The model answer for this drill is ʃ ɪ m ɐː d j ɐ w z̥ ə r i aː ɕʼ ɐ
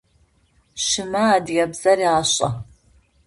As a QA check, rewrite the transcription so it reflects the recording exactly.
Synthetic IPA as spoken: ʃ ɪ m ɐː d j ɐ b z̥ ɐ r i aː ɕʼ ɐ